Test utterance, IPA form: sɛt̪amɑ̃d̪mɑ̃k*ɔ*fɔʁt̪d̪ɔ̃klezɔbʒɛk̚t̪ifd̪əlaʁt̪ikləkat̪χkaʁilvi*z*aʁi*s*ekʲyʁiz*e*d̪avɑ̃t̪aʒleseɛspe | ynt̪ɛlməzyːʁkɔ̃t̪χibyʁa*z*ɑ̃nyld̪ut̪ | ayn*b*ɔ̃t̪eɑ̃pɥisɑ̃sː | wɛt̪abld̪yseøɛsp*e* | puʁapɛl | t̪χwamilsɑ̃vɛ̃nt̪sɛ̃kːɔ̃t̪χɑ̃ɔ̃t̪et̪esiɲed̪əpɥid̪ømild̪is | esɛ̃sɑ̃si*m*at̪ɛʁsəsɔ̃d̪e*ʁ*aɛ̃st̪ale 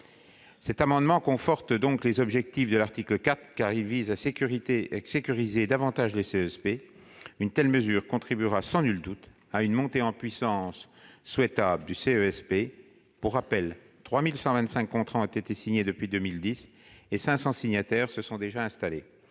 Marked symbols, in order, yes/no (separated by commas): no, yes, yes, yes, no, no, yes, no, no